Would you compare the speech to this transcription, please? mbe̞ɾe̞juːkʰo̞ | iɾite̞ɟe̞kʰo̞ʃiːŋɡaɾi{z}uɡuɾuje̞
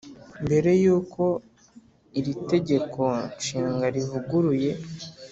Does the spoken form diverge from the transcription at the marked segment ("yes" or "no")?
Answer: yes